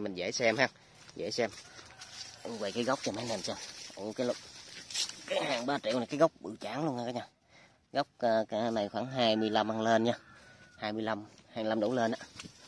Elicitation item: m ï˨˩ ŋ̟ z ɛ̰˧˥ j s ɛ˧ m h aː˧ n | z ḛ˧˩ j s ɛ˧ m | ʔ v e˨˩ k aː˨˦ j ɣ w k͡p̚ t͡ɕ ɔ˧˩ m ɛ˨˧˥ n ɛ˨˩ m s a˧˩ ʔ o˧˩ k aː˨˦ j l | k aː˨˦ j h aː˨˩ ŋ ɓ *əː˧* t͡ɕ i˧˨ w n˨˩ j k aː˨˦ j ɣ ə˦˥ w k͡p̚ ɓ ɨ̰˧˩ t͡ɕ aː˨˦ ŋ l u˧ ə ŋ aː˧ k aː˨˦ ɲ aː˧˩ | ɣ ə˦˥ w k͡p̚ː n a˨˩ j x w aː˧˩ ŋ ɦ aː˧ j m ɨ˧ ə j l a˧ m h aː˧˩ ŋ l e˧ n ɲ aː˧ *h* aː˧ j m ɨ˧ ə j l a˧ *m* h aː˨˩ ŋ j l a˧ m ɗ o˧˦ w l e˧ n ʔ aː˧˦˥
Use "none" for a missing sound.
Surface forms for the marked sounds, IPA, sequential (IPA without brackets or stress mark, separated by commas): aː˧, h, m